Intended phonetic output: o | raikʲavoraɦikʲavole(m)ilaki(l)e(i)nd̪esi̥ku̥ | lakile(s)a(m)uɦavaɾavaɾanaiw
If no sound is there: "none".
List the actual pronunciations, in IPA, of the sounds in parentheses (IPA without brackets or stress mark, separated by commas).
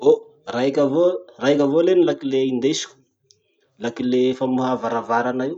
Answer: n, l, i, f, m